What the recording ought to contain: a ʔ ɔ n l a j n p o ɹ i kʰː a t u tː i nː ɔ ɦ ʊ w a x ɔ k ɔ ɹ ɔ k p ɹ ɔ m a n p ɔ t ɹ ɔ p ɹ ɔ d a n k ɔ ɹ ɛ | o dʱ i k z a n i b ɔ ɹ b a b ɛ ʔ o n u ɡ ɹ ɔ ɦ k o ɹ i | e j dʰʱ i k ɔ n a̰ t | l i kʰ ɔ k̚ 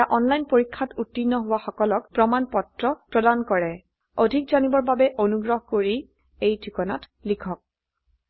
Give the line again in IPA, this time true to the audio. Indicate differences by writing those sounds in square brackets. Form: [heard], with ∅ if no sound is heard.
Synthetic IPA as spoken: a ʔ ɔ n l a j n p o ɹ i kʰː a t u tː i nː ɔ ɦ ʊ w a x ɔ k ɔ [l] ɔ k p ɹ ɔ m a n p ɔ t ɹ ɔ p ɹ ɔ d a n k ɔ ɹ ɛ | o dʱ i k z a n i b ɔ ɹ b a b ɛ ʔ o n u ɡ ɹ ɔ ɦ k o ɹ i | e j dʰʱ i k ɔ n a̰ t | l i kʰ ɔ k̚